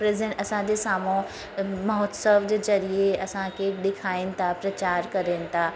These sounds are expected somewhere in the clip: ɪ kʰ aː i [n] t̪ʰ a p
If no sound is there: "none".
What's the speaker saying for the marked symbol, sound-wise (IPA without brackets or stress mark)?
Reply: n